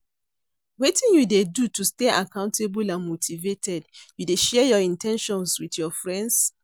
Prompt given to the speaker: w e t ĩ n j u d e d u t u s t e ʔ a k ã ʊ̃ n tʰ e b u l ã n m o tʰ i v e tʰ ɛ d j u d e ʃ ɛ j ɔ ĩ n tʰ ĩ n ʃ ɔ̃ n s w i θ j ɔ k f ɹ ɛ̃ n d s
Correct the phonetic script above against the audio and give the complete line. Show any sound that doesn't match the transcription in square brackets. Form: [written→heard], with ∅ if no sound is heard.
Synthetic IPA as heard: w e t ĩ n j u d e d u t u s t e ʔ a k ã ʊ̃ n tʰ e b u l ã n m o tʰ i v e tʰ ɛ d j u d e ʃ ɛ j ɔ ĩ n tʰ [ĩ→ɛ̃] n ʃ ɔ̃ n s w i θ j ɔ [k→∅] f ɹ ɛ̃ n d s